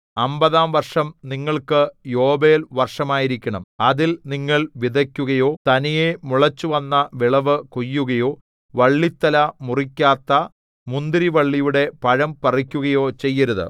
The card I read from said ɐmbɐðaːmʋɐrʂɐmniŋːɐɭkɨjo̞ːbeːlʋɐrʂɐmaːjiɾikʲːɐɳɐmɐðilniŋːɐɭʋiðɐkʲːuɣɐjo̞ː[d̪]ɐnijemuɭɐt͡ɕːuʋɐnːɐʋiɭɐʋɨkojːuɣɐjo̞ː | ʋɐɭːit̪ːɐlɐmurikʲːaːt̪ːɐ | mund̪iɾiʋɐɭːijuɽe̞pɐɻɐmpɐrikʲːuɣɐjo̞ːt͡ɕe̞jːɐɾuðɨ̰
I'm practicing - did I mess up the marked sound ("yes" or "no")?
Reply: yes